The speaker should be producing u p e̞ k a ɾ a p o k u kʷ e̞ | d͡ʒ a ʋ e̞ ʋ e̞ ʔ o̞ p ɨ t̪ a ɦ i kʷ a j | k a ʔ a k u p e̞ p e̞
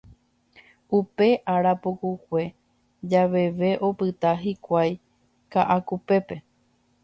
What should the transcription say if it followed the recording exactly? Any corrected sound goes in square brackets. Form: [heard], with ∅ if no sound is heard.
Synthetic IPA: u p e̞ [ʔ] a ɾ a p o k u kʷ e̞ | d͡ʒ a ʋ e̞ ʋ e̞ ʔ o̞ p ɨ t̪ a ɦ i kʷ a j | k a ʔ a k u p e̞ p e̞